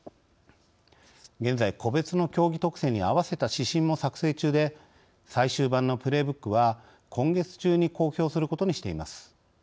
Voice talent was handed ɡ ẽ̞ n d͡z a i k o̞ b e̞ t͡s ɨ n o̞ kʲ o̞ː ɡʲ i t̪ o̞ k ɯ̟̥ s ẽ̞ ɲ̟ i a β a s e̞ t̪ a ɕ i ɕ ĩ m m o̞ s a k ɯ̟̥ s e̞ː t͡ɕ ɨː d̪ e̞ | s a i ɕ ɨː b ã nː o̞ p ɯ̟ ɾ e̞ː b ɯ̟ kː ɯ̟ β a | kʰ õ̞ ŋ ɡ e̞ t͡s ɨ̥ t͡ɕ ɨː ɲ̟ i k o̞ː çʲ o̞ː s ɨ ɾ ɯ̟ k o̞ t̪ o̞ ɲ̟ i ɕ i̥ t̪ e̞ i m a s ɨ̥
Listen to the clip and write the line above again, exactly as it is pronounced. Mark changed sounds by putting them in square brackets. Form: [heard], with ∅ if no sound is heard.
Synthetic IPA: ɡ ẽ̞ n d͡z a i k o̞ b e̞ t͡s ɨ n o̞ kʲ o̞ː ɡʲ i t̪ o̞ k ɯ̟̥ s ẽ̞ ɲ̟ i a β a s e̞ t̪ a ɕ i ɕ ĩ m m o̞ s a k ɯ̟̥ s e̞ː t͡ɕ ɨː d̪ e̞ | s a i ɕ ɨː b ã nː o̞ p ɯ̟ ɾ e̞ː b ɯ̟ kː ɯ̟ β a | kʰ õ̞ ŋ ɡ e̞ t͡s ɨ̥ t͡ɕ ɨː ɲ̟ i k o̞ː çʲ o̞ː s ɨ ɾ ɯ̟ k o̞ t̪ o̞ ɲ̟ i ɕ i̥ t̪ e̞ i m a s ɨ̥